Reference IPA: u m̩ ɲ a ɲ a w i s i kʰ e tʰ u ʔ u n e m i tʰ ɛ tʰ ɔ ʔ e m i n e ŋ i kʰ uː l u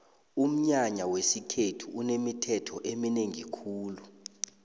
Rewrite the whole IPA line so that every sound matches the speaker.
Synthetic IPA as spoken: u m̩ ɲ a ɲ a w e s i kʰ e tʰ u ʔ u n e m i tʰ ɛ tʰ ɔ ʔ e m i n e ŋ i kʰ uː l u